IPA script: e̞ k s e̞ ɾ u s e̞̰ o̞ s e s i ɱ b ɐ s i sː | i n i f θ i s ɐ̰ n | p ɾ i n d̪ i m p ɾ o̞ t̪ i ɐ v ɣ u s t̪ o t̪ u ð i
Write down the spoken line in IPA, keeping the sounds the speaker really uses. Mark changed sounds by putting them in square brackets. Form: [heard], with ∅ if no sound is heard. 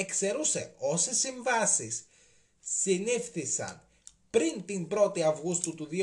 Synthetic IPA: e̞ k s e̞ ɾ u s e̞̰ o̞ s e s i ɱ [v] ɐ s i sː | i n i f θ i s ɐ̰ n | p ɾ i n [t̪] i m [b] ɾ o̞ t̪ i ɐ v ɣ u s t̪ [u] t̪ u ð i